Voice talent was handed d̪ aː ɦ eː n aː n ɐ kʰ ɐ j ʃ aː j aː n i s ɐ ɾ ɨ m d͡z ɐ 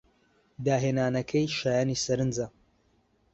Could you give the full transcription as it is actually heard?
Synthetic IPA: d̪ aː ɦ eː n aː n ɐ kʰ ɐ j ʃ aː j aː n i s ɐ ɾ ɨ n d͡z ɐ